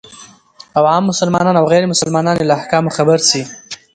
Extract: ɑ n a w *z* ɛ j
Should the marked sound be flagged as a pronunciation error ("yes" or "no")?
yes